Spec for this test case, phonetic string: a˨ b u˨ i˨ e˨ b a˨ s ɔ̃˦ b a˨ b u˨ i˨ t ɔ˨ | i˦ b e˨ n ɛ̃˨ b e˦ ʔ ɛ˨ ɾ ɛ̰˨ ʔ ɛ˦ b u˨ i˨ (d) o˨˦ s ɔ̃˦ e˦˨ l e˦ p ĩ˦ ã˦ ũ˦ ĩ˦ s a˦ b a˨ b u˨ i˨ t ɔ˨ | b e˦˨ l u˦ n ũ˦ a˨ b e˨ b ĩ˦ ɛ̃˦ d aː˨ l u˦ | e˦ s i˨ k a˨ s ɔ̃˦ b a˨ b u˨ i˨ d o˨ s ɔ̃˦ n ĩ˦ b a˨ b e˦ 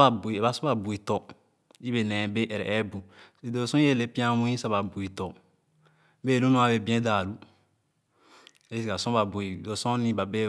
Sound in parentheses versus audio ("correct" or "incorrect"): correct